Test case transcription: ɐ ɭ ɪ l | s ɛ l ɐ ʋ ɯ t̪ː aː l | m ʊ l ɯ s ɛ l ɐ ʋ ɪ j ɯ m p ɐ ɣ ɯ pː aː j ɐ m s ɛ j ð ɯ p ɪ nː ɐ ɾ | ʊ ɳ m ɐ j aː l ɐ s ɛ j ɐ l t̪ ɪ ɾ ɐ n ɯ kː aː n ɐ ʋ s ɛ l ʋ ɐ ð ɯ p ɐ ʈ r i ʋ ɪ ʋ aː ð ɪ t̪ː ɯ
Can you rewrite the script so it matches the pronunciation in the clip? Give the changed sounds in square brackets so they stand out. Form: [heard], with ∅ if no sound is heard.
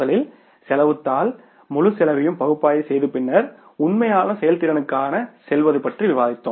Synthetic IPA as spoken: ɐ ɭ ɪ l | s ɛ l ɐ ʋ ɯ t̪ː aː l | m ʊ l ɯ s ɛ l ɐ ʋ ɪ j ɯ m p ɐ ɣ ɯ pː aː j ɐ [∅] s ɛ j ð ɯ p ɪ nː ɐ ɾ | ʊ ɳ m ɐ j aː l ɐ s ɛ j ɐ l t̪ ɪ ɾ ɐ n ɯ kː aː n ɐ [∅] s ɛ l ʋ ɐ ð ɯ p ɐ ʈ r i ʋ ɪ ʋ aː ð ɪ t̪ː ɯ